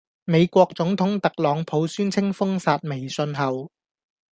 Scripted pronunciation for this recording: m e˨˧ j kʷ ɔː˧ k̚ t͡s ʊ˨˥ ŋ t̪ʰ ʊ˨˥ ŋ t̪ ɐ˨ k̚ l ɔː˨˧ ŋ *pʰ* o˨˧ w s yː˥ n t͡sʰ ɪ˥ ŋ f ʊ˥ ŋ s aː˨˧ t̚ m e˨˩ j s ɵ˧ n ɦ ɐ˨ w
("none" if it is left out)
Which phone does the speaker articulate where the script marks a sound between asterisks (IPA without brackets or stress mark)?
pʰ